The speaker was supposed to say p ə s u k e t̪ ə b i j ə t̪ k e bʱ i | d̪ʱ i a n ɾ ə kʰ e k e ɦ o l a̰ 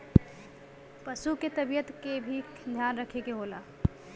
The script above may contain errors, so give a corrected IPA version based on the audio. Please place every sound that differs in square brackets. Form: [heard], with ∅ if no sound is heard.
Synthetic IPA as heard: p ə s u k e t̪ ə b i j ə t̪ k e bʱ i | d̪ʱ [j] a n ɾ ə kʰ e k e ɦ o l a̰